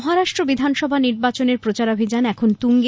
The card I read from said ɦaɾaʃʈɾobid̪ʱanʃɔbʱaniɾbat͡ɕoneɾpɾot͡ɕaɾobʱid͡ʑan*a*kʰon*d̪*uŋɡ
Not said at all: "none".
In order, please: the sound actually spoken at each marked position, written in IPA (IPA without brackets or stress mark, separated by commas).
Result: ɛ, t̪